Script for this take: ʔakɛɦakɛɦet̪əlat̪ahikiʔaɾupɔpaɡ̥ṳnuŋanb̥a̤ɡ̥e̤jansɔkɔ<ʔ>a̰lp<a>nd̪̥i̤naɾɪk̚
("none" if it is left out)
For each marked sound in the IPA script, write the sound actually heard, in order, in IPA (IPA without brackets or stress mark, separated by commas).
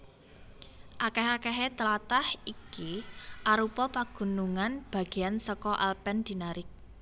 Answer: ʔ, ɛ